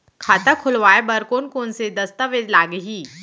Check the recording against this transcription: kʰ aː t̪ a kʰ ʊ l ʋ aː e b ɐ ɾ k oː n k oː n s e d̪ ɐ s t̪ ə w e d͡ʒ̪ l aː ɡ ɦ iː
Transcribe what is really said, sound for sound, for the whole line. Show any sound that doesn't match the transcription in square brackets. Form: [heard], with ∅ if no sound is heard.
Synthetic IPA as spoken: kʰ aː t̪ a kʰ ʊ l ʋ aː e b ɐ ɾ k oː n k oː n s e d̪ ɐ s t̪ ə [ʋ] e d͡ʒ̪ l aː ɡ ɦ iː